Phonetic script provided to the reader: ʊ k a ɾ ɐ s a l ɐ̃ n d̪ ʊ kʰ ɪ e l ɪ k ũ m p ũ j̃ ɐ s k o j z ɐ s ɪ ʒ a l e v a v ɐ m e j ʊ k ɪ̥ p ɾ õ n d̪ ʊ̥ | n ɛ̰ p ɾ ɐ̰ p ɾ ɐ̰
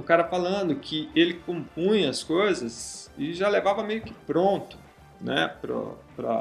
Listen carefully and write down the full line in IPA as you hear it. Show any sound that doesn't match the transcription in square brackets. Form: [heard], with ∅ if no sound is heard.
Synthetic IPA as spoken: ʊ k a ɾ ɐ [f] a l ɐ̃ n d̪ ʊ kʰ ɪ e l ɪ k [õ] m p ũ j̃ ɐ s k o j z ɐ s ɪ ʒ a l e v a v ɐ m e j ʊ k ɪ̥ p ɾ õ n [t̪] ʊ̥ | n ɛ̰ p ɾ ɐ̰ p ɾ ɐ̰